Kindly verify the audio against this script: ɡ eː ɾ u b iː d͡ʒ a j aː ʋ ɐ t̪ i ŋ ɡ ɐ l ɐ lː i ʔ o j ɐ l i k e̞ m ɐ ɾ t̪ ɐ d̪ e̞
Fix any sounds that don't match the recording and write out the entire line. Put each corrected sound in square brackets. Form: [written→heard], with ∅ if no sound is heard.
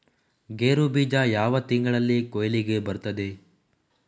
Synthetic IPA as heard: ɡ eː ɾ u b iː d͡ʒ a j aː ʋ ɐ t̪ i ŋ ɡ ɐ [l→ɭ] ɐ lː i [ʔ→k] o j ɐ l i [k→ɡ] e̞ [m→b] ɐ ɾ t̪ ɐ d̪ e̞